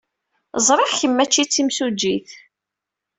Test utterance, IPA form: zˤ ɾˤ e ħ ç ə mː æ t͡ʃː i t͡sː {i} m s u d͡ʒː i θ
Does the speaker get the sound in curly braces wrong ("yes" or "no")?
no